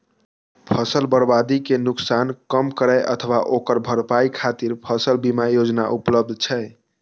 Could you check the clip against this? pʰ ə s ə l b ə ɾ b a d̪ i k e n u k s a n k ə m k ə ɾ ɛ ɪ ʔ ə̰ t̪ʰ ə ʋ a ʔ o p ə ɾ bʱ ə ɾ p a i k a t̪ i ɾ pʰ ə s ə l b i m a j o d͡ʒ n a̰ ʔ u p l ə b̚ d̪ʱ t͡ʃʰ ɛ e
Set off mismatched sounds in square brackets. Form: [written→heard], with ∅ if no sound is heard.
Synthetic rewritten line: pʰ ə s ə l b ə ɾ b a d̪ i k e n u k s a n k ə m k ə ɾ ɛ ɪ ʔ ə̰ t̪ʰ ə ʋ a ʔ o [p→k] ə ɾ bʱ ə ɾ p a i [k→kʰ] a t̪ i ɾ pʰ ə s ə l b i m a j o d͡ʒ n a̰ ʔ u p l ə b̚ d̪ʱ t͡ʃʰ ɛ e